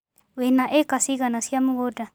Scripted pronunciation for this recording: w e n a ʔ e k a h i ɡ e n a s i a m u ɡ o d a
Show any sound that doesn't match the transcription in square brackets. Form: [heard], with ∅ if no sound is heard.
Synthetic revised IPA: w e n a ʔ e k a [s] i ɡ [a] n a s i a m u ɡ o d a

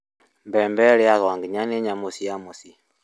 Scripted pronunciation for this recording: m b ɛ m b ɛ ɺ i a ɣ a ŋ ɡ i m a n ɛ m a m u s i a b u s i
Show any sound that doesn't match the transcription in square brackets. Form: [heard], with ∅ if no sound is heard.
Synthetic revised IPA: m b ɛ m b ɛ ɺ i a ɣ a ŋ ɡ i [ɲ] a n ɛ [ɲ] a m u s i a [m] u s i

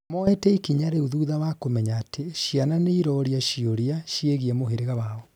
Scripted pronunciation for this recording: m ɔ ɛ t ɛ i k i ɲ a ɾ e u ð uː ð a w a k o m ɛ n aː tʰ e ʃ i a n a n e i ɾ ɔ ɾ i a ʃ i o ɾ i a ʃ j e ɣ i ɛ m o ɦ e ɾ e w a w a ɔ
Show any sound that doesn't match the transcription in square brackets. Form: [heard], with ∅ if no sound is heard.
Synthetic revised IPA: m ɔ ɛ t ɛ i k i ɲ a ɾ e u ð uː ð a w a k o m ɛ [ɲ] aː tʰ e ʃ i a n a n e i ɾ ɔ ɾ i a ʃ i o ɾ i a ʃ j e ɣ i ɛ m o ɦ e ɾ e [ɣ] a w a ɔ

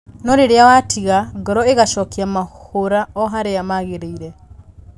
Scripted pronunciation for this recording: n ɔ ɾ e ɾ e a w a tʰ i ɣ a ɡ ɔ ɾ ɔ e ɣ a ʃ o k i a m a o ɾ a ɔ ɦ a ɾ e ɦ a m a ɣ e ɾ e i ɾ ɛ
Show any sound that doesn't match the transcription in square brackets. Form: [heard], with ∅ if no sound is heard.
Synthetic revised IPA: n ɔ ɾ e ɾ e a w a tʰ i ɣ a ɡ ɔ ɾ ɔ e ɣ a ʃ [ɔ] k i a m a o ɾ a ɔ ɦ a ɾ e [∅] a m a ɣ e ɾ e i ɾ ɛ

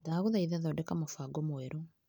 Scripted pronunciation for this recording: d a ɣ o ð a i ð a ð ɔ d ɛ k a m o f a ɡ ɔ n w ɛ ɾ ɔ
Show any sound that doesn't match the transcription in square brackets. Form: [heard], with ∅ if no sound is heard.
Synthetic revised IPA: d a ɣ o ð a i ð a ð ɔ d ɛ k a m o f a ɡ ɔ [m] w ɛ ɾ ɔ

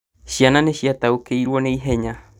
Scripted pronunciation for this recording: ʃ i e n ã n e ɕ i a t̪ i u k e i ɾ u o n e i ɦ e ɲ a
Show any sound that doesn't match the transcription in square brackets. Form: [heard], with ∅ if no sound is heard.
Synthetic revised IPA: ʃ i [a] n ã n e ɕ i a t̪ [a] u k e i ɾ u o n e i ɦ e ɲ a

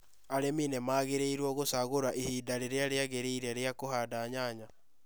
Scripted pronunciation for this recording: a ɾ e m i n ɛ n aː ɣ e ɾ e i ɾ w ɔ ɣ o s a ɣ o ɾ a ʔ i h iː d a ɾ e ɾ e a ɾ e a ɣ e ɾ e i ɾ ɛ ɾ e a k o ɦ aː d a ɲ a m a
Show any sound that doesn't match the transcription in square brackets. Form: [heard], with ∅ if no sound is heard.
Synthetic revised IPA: a ɾ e m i n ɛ [m] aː ɣ e ɾ e i ɾ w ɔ ɣ o s a ɣ o ɾ a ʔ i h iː d a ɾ e ɾ e a ɾ e a ɣ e ɾ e i ɾ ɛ ɾ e a k o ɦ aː d a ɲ a [ɲ] a

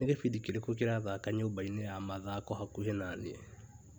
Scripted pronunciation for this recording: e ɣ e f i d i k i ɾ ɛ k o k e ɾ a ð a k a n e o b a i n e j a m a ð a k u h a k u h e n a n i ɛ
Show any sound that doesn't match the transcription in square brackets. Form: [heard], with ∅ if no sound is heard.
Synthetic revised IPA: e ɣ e f i d i k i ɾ [e] k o k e ɾ a ð a k a [ɲ] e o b a i n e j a m a ð a k [ɔ] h a k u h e n a n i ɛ

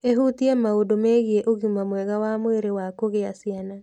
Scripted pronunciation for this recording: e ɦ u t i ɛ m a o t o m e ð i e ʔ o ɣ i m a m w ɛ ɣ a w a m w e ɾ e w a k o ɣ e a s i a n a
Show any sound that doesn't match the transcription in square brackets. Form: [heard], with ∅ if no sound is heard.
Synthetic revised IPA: e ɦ u t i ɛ m a o [d] o m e [ɣ] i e ʔ o ɣ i m a m w ɛ ɣ a w a m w e ɾ e w a k o ɣ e a s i a n a

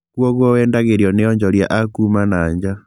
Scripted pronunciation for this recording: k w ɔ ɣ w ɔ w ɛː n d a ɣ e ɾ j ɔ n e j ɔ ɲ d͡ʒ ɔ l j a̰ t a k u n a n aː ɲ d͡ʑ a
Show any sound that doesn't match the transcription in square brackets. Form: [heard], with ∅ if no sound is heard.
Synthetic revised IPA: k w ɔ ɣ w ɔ w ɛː n d a ɣ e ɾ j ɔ n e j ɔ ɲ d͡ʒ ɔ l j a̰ [ʔ] a k u [m] a n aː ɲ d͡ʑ a

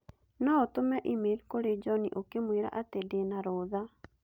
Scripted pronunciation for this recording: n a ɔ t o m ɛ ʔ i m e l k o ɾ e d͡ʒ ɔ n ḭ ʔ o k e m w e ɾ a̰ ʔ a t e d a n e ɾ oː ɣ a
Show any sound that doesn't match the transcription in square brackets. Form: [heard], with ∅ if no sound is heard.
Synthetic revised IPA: n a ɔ t o m ɛ ʔ i m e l k o ɾ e d͡ʒ ɔ n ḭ ʔ o k e m w e ɾ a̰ ʔ a t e d [e] n [a] ɾ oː [ð] a

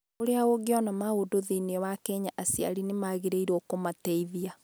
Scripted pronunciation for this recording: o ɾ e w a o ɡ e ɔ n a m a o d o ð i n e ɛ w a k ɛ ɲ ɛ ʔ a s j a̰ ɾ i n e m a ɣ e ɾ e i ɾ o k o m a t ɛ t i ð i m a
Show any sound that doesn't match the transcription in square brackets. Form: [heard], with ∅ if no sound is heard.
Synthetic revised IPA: o ɾ e [∅] a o ɡ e ɔ n a m a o d o ð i n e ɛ w a k ɛ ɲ [a] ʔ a s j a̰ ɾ i n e m a ɣ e ɾ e i ɾ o k o m a t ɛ [∅] i ð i [∅] a

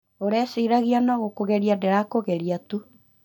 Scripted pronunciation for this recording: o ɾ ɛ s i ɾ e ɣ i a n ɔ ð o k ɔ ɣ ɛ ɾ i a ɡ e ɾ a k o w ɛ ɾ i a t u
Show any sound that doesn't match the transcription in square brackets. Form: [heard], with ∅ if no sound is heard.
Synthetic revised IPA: o ɾ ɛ s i ɾ [a] ɣ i a n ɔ [ɣ] o k [o] ɣ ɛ ɾ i a [d] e ɾ a k o [ɣ] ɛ ɾ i a t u

